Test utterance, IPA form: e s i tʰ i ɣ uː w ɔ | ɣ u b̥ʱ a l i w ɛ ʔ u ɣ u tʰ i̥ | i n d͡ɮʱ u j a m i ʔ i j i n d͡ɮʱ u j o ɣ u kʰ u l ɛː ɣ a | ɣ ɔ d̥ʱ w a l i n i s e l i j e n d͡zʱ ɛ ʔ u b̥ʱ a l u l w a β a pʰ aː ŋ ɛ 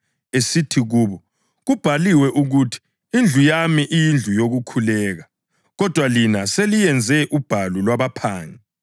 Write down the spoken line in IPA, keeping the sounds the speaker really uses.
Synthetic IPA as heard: e s i tʰ i ɣ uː β ɔ | ɣ u b̥ʱ a l i w ɛ ʔ u ɣ u tʰ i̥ | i n d͡ɮʱ u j a m i ʔ i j i n d͡ɮʱ u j o ɣ u kʰ u l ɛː ɣ a | ɣ ɔ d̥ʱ w a l i n a s e l i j ɛ n d͡zʱ ɛ ʔ u b̥ʱ a l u l w a β a pʰ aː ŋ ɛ